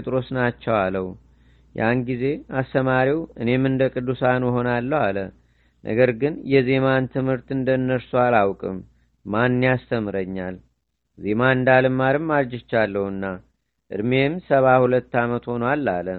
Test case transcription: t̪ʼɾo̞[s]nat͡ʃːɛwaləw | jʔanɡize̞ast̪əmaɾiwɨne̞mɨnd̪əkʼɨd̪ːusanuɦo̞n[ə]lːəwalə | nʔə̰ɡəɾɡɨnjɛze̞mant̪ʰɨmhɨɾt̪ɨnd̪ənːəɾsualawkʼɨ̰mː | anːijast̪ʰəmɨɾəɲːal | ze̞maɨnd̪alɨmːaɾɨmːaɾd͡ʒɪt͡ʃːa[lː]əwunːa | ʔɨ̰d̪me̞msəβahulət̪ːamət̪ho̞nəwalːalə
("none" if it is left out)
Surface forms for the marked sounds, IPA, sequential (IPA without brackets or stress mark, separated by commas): s, a, lː